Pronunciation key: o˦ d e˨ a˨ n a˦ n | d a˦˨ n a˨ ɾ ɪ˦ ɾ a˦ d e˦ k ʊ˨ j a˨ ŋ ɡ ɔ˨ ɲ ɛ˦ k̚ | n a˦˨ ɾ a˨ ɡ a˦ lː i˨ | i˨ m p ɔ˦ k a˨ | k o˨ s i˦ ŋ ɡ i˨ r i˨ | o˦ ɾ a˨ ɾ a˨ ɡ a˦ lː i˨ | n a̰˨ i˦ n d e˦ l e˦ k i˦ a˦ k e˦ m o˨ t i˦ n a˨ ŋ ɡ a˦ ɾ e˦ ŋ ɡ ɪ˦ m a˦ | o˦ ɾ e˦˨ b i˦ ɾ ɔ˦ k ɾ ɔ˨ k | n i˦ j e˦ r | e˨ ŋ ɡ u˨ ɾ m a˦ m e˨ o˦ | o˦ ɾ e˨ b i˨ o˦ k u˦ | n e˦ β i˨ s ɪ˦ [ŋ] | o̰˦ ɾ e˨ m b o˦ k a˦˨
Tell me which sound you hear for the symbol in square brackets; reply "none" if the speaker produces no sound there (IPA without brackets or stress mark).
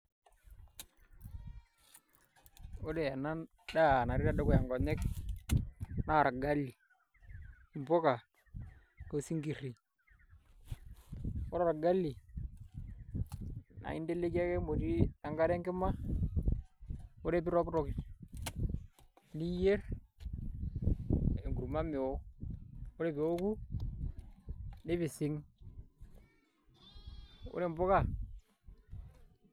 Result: ŋ